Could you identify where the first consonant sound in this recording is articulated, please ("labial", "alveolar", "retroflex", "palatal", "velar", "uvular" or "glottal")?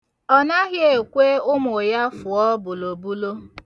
alveolar